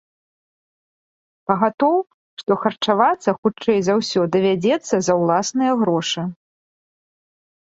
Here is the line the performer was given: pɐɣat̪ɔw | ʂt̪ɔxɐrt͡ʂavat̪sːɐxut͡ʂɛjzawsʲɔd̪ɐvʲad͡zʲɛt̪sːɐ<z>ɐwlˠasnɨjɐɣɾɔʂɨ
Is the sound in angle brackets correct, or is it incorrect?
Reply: correct